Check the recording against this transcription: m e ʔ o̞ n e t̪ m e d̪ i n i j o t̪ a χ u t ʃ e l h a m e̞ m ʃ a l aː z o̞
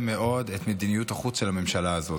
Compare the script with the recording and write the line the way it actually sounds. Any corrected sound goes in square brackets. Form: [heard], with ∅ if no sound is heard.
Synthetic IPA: m e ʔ o̞ [d] e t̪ m e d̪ i n i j [u] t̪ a χ u [t͡s] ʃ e l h a m e̞ m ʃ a l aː z o̞